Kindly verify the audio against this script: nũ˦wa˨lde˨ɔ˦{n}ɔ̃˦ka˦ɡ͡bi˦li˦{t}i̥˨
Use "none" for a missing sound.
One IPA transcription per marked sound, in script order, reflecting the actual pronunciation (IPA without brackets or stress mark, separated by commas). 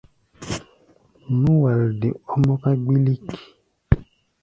m, k